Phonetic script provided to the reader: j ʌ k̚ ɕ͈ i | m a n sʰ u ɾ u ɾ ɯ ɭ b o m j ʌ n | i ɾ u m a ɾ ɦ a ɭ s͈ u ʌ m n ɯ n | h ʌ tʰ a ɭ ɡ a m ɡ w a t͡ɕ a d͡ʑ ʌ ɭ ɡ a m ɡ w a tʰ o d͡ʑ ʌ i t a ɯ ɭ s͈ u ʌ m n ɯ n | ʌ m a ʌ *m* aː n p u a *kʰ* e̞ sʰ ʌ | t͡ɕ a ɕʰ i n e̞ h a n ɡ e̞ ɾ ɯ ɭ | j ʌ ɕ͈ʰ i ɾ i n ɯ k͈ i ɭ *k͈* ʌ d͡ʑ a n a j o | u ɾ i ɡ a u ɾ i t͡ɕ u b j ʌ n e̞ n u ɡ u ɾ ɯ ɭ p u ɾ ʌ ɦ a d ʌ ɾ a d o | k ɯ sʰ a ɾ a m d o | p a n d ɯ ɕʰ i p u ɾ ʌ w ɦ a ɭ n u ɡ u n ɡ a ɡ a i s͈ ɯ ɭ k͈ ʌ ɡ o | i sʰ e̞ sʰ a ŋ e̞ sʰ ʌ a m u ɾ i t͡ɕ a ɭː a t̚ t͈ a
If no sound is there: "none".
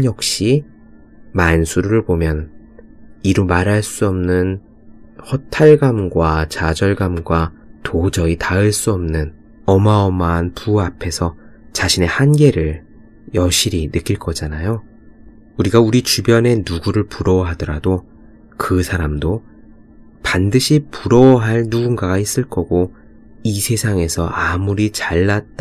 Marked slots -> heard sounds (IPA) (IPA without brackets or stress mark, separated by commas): m, pʰ, k͈